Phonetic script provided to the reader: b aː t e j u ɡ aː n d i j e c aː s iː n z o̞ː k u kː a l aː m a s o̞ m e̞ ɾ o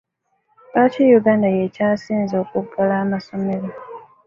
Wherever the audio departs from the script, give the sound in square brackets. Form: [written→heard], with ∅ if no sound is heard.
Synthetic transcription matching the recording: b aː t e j u ɡ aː n d [i→a] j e c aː s iː n z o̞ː k u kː a l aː m a s o̞ m e̞ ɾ o